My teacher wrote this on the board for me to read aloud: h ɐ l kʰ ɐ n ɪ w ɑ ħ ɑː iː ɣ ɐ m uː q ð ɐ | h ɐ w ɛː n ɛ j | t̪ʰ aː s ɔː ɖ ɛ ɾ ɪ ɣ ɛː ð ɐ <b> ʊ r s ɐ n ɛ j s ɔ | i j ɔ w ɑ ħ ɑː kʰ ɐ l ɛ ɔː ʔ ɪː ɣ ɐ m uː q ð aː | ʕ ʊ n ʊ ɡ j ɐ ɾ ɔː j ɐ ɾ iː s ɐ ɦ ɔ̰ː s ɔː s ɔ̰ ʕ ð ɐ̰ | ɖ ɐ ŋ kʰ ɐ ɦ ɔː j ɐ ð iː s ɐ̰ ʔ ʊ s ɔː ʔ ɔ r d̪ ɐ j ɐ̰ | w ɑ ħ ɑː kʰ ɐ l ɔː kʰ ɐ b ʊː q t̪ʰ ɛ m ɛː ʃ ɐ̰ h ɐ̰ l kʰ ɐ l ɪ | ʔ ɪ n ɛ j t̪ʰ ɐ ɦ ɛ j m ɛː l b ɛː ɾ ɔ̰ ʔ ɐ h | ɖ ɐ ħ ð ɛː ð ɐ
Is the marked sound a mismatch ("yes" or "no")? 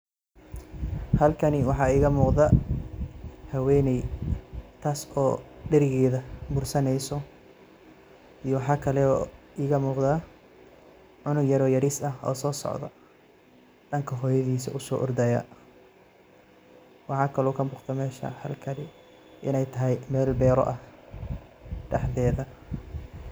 no